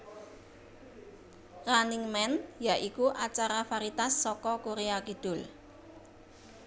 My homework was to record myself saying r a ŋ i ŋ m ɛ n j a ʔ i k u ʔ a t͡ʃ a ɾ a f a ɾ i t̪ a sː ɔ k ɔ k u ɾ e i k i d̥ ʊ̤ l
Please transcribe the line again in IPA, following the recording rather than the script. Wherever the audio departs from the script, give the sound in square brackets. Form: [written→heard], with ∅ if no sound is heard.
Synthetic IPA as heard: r a [ŋ→n] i ŋ m ɛ n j a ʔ i k u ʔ a t͡ʃ a ɾ a f a ɾ i t̪ a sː ɔ k ɔ k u ɾ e [i→a] k i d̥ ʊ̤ l